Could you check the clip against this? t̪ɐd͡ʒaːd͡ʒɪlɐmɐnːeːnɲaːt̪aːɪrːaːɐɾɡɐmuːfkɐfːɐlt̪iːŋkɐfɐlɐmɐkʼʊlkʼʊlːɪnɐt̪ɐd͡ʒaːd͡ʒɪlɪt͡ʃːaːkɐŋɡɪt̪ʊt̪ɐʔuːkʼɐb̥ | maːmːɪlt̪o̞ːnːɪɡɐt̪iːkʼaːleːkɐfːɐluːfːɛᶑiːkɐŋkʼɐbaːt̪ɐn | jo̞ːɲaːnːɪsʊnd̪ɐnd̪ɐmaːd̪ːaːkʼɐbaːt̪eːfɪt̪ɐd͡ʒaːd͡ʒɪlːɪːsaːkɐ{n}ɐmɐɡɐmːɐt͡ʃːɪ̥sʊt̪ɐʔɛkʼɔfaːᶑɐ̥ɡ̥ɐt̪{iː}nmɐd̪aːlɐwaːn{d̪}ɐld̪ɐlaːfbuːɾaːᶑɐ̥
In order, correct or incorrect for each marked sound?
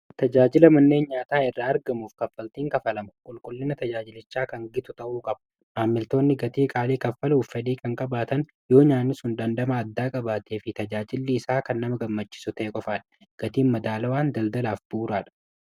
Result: incorrect, correct, correct

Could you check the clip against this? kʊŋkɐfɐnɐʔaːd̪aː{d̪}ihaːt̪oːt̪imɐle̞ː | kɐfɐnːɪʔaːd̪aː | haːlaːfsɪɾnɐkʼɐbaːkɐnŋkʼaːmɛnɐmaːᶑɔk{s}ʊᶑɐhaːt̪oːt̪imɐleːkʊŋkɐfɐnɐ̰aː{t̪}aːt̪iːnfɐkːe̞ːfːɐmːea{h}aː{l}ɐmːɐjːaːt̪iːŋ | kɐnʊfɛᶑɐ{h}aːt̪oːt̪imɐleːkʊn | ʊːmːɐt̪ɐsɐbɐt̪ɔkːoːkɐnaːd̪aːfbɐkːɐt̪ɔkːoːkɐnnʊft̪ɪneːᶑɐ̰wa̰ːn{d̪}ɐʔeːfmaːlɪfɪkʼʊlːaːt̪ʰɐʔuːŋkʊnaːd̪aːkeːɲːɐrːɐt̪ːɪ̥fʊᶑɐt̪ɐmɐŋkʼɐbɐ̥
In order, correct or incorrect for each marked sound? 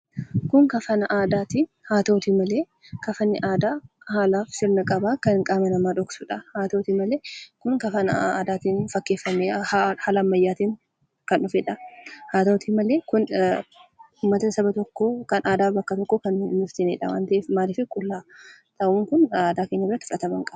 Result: incorrect, correct, incorrect, correct, correct, correct, incorrect

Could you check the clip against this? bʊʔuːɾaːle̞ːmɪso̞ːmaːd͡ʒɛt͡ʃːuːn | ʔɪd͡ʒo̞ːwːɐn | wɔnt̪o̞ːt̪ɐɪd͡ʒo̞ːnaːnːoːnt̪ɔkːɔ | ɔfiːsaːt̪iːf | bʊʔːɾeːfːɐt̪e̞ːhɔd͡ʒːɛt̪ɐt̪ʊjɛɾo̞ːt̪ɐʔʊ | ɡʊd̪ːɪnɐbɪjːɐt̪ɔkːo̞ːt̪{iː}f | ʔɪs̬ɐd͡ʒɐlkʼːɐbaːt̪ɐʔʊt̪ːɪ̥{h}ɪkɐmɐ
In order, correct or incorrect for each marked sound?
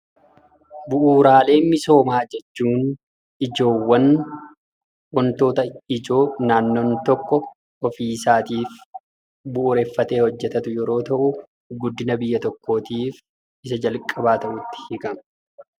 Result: correct, correct

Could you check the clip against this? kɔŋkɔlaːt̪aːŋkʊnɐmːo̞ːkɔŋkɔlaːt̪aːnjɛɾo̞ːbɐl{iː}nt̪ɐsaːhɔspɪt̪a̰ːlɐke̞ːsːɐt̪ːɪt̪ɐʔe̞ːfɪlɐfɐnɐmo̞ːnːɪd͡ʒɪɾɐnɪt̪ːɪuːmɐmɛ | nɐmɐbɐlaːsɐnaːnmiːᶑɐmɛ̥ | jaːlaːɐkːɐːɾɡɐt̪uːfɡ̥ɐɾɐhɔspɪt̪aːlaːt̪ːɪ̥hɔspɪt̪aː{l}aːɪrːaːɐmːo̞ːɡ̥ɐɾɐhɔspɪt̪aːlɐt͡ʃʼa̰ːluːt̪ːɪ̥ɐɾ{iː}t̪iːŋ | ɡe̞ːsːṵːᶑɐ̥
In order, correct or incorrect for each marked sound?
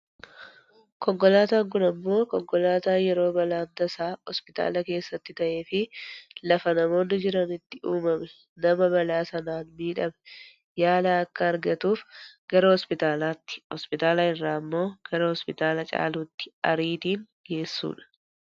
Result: incorrect, correct, correct

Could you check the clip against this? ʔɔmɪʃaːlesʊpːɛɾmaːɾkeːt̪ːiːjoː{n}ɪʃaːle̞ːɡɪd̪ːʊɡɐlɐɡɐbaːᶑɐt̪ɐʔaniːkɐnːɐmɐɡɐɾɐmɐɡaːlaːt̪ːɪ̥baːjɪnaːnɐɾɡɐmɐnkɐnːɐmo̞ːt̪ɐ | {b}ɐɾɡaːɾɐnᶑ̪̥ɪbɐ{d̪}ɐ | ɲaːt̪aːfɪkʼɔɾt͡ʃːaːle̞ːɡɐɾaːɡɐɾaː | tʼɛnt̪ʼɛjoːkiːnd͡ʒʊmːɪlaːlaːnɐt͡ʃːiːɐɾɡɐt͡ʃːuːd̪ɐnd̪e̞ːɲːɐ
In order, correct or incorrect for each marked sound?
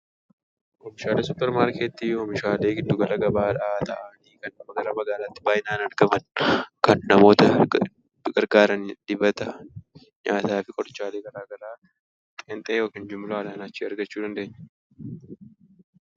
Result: incorrect, incorrect, incorrect

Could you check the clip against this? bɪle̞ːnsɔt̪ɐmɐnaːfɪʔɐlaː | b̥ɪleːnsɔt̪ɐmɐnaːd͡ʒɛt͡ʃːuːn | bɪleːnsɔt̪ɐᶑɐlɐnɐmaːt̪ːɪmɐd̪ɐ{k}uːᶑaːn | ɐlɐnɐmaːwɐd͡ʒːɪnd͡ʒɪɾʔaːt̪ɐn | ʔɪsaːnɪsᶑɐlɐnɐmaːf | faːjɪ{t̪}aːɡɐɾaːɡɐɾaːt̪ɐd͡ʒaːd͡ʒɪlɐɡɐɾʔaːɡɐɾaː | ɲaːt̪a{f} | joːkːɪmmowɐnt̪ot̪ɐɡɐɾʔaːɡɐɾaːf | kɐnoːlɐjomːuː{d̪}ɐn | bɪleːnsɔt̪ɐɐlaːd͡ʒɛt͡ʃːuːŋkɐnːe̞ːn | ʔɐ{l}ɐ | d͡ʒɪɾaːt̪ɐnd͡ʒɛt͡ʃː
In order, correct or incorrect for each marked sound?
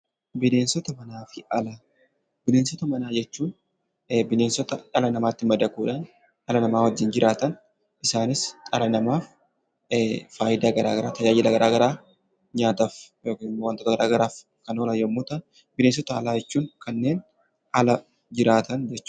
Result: correct, incorrect, correct, incorrect, correct

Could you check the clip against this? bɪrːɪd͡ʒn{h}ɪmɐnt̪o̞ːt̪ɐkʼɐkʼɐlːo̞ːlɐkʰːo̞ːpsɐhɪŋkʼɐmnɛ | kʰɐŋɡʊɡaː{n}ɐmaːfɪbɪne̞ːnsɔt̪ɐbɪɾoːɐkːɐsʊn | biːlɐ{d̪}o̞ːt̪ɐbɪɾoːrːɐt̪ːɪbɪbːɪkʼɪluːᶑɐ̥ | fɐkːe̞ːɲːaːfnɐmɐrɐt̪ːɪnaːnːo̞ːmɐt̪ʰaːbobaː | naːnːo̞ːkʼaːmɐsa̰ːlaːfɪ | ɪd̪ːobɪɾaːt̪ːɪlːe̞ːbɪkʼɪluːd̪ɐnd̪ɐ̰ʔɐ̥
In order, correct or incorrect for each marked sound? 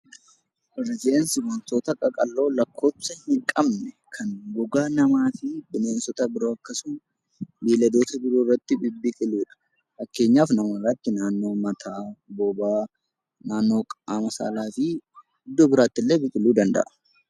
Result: incorrect, correct, correct

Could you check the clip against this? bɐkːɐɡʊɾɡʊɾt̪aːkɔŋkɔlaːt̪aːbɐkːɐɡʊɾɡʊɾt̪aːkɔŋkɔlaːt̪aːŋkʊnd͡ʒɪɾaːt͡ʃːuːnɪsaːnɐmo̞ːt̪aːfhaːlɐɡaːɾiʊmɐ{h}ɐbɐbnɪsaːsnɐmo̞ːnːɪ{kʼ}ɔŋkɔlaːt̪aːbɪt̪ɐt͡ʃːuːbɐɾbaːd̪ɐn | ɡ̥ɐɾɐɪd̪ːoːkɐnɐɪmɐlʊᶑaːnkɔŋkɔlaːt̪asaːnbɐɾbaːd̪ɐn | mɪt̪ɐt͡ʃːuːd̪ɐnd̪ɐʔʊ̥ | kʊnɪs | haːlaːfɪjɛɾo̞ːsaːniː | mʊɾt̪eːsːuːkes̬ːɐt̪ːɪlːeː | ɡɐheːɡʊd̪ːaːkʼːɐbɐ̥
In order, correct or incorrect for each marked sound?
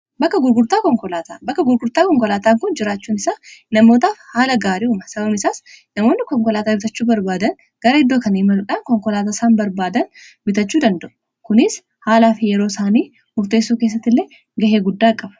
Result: incorrect, incorrect

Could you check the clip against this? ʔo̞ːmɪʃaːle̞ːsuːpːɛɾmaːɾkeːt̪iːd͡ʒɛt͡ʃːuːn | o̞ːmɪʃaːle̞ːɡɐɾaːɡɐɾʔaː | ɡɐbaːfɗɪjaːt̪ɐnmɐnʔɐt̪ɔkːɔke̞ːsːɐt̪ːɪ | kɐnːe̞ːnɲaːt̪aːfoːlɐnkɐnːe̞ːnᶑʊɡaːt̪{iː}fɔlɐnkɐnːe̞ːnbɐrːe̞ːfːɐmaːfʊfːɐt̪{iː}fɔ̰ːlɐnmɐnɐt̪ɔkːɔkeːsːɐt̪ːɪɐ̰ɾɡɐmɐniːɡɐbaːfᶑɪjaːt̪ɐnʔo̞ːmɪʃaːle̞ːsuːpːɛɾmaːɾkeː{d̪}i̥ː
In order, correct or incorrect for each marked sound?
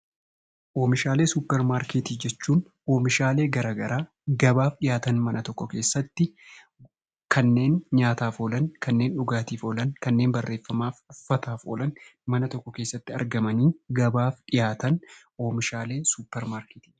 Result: correct, incorrect, incorrect

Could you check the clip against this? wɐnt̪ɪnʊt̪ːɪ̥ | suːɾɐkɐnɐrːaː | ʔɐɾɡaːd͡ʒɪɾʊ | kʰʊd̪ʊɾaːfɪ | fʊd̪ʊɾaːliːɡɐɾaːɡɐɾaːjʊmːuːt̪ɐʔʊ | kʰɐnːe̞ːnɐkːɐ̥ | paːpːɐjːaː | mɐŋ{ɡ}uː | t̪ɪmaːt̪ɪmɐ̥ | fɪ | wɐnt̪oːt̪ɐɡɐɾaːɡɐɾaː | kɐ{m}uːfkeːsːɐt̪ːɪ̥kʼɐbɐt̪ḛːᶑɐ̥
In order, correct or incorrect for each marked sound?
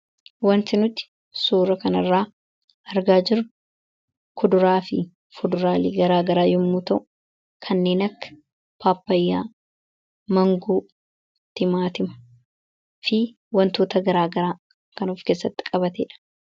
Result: correct, incorrect

